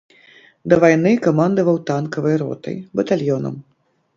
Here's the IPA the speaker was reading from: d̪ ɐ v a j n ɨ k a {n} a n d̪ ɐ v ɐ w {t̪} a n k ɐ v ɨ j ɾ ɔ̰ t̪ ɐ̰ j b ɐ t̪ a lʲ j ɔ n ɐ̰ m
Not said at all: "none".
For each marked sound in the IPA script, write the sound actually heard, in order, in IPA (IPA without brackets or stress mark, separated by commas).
m, t̪